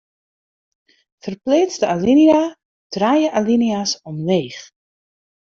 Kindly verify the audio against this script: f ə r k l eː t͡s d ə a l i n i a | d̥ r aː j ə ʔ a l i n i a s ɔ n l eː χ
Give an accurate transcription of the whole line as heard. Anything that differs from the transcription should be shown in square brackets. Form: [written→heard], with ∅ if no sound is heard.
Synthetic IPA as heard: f ə r [k→p] l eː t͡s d ə a l i n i a | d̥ r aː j ə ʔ a l i n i a s ɔ [n→m] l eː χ